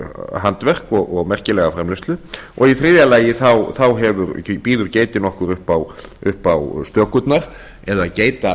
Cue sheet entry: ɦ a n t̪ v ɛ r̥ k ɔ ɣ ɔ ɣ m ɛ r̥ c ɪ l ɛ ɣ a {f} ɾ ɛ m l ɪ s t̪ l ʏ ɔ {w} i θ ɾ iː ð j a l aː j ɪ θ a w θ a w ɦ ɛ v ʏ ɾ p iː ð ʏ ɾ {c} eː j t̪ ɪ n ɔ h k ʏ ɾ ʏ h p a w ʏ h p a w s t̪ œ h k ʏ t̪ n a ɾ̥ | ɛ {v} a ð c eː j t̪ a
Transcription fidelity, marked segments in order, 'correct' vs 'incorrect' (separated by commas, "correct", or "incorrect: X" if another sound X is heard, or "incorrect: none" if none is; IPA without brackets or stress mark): correct, incorrect: ɣ, correct, incorrect: ð